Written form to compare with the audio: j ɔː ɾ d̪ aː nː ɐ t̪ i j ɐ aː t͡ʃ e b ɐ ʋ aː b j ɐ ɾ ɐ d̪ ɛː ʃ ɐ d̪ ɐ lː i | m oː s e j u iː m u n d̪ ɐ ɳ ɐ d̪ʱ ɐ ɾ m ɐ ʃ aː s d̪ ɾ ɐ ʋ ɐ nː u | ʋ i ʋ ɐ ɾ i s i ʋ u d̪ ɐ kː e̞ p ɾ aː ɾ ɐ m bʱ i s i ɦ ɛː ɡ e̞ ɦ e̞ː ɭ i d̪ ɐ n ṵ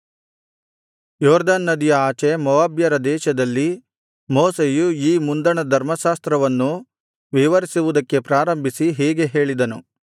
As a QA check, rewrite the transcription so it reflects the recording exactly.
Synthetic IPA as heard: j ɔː ɾ d̪ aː nː ɐ d̪ i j ɐ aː t͡ʃ e m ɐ ʋ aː b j ɐ ɾ ɐ d̪ ɛː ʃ ɐ d̪ ɐ lː i | m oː s e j u iː m u n d̪ ɐ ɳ ɐ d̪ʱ ɐ ɾ m ɐ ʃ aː s t̪ ɾ ɐ ʋ ɐ nː u | ʋ i ʋ ɐ ɾ i s i ʋ u d̪ ɐ kː e̞ p ɾ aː ɾ ɐ m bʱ i s i ɦ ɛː ɡ e̞ ɦ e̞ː ɭ i d̪ ɐ n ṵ